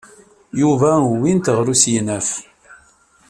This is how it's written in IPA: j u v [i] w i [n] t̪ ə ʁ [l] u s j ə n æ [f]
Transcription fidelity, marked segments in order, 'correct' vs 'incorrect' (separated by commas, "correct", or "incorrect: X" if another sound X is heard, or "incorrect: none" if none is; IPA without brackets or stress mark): incorrect: æ, correct, incorrect: ɾ, correct